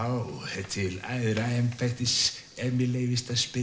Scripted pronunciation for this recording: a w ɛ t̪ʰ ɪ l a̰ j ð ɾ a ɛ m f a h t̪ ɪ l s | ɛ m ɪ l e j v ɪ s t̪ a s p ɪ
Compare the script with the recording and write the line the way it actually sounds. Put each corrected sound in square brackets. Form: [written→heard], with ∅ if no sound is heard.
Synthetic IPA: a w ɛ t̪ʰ ɪ l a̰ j ð ɾ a ɛ m f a h t̪ ɪ [l→∅] s | ɛ m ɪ l e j v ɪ s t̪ a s p ɪ